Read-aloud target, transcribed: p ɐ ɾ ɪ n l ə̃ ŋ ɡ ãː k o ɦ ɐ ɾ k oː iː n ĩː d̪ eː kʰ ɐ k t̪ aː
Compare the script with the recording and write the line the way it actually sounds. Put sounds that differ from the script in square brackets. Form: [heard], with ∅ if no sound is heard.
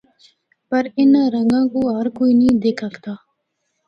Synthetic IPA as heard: p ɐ ɾ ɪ n [ɾ] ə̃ ŋ ɡ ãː k o ɦ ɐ ɾ k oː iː n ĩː d̪ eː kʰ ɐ k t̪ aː

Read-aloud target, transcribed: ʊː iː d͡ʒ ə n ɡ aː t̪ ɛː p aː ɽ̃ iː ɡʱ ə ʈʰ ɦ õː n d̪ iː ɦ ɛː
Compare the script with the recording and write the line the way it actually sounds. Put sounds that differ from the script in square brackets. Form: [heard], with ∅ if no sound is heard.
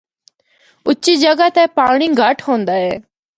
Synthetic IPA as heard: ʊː iː d͡ʒ ə [∅] ɡ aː t̪ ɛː p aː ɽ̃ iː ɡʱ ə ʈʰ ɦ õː n d̪ [aː] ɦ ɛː

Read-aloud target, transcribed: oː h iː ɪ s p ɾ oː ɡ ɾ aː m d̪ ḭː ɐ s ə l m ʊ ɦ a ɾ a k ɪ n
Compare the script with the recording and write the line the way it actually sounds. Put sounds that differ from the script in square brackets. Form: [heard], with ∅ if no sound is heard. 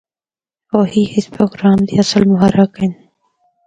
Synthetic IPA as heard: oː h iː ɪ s p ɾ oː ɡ ɾ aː m d̪ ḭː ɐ s ə l m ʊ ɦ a ɾ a k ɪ n

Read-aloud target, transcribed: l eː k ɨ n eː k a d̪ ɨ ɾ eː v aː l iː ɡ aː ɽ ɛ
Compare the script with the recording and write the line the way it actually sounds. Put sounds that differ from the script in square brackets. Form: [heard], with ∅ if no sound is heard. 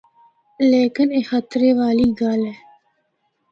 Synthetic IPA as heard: l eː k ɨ n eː [x] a [t̪] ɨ ɾ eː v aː l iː ɡ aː [l] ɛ

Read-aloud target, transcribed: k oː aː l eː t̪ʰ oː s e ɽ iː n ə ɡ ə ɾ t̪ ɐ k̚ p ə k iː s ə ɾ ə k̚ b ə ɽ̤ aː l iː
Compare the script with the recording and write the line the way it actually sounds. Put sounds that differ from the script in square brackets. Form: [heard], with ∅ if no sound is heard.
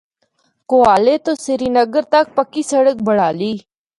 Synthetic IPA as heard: k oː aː l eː [t̪] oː s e [ɾ] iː n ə ɡ ə ɾ t̪ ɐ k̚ p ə k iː s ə [ɽ] ə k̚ b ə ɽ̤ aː l iː

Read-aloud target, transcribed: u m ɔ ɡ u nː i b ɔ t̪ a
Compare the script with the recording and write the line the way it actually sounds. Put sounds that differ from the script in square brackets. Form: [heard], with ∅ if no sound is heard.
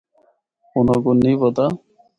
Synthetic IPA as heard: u [n] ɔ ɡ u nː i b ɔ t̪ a

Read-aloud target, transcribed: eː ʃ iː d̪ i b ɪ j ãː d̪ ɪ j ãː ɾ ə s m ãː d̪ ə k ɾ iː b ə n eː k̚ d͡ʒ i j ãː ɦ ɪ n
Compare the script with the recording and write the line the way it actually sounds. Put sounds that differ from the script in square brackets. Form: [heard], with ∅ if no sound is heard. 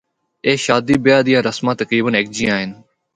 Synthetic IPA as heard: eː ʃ [aː] d̪ [iː] b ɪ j [aː] d̪ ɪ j ãː ɾ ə s m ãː [t̪] ə k ɾ iː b ə n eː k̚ d͡ʒ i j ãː ɦ ɪ n

